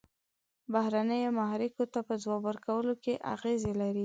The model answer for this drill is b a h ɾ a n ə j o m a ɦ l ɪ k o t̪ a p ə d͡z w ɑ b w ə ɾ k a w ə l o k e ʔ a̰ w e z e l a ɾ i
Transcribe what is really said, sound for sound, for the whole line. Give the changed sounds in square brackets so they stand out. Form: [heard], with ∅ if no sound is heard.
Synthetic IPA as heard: b a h ɾ a n ə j o m a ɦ [ɾ] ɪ k o t̪ a p ə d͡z w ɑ b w ə ɾ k a w ə l o k e ʔ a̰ [ɣ] e z e l a ɾ i